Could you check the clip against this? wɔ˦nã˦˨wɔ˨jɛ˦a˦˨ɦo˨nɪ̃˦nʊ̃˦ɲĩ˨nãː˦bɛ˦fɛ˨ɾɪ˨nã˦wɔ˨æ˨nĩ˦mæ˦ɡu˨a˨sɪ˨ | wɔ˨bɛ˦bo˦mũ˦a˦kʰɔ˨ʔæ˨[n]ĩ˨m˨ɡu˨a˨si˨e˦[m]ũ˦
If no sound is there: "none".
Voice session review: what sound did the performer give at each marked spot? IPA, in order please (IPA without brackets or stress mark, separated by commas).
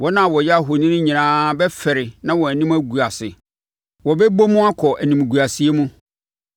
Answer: n, m